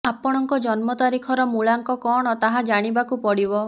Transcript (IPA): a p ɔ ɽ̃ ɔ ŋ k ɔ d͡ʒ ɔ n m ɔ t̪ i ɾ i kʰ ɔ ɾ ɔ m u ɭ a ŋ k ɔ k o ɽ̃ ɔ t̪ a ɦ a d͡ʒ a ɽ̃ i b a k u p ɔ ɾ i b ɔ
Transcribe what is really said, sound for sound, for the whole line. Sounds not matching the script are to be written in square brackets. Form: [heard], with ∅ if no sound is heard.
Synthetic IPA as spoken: a p ɔ ɽ̃ ɔ ŋ k ɔ d͡ʒ ɔ n m ɔ t̪ [a] ɾ i kʰ ɔ ɾ ɔ m u ɭ a ŋ k ɔ k [ɔ] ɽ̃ ɔ t̪ a ɦ a d͡ʒ a ɽ̃ i b a k u p ɔ [ɽ] i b ɔ